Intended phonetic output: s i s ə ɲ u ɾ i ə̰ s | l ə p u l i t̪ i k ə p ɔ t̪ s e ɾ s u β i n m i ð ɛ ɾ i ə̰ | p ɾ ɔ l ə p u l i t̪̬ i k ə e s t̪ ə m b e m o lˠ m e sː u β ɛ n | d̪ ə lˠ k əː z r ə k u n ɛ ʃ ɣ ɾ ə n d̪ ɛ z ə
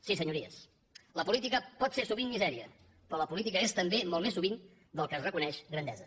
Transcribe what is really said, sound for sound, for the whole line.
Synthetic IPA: s i s ə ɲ u ɾ i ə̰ s | l ə p u l i t̪ i k ə p ɔ t̪ s e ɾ s u β i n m i z ɛ ɾ i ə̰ | p ɾ ɔ l ə p u l i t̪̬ i k ə e s t̪ ə m b e m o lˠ m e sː u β i n | d̪ ə lˠ k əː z r ə k u n ɛ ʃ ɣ ɾ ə n d̪ ɛ z ə